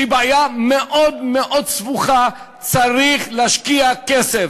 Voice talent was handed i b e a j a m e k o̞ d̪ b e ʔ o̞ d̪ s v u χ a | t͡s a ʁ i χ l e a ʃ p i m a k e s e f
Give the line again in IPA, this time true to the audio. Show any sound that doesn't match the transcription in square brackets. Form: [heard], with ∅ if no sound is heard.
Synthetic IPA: i b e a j a m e [ʔ] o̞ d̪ [m] e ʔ o̞ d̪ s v u χ a | t͡s a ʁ i χ l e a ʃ [k] i [∅] a k e s e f